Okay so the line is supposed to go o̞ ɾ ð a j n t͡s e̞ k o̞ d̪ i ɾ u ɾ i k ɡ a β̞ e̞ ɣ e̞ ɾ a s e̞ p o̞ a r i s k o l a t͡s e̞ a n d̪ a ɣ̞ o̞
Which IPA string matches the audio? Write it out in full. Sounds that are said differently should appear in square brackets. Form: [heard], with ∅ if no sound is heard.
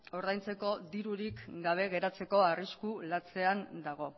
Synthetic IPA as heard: o̞ ɾ ð a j n t͡s e̞ k o̞ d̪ i ɾ u ɾ i k ɡ a β̞ e̞ ɣ e̞ ɾ a [t͡s] e̞ [k] o̞ a r i s k [u] l a t͡s e̞ a n d̪ a ɣ̞ o̞